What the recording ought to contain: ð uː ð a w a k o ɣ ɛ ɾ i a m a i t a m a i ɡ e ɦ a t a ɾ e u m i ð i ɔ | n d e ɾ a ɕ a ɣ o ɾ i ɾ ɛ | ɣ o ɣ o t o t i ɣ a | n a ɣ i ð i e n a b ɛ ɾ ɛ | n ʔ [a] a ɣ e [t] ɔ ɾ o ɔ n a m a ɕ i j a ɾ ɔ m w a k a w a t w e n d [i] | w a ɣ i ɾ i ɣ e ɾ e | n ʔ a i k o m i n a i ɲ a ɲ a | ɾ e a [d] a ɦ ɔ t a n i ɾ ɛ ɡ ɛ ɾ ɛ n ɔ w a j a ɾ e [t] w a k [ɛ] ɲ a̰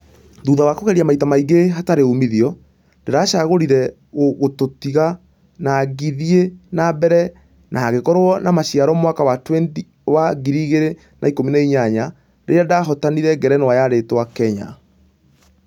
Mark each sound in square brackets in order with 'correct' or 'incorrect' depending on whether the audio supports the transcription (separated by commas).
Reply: correct, incorrect, correct, correct, correct, correct